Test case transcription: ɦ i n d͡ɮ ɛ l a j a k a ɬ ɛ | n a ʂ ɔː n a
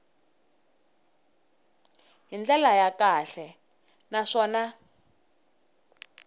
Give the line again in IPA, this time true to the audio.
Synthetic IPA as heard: ɦ i n d͡ɮ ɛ l a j a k a ɬ ɛ | n a ʂ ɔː n a